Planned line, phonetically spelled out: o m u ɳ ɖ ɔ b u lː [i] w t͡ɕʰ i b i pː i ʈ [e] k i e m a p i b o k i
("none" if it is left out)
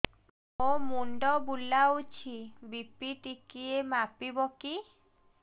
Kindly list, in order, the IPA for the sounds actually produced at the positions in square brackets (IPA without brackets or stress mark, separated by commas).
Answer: a, i